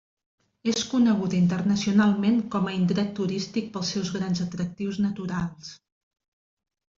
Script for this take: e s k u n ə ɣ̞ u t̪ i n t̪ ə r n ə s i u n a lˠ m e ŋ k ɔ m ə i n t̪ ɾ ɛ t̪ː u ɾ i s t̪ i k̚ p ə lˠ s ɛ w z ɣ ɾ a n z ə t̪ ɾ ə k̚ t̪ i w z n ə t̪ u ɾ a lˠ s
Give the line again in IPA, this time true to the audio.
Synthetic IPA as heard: e s k u n ə ɣ̞ u t̪ i n t̪ ə r n ə s i u n a lˠ m e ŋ k ɔ m ə i n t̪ ɾ ɛ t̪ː u ɾ i s t̪ i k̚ p ə lˠ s ɛ w z ɣ ɾ a n z ə t̪ ɾ ə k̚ t̪ i w z n ə t̪ u ɾ a lˠ s